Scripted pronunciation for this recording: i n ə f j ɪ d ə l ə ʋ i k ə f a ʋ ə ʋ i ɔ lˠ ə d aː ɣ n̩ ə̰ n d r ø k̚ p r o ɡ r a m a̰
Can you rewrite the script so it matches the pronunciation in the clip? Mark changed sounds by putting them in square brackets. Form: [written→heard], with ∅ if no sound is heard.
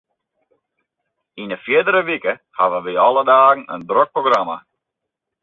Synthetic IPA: i n ə f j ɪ d ə [l→ɾ] ə ʋ i k ə [f→h] a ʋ ə ʋ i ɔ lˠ ə d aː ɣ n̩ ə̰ n d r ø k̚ p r o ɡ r a m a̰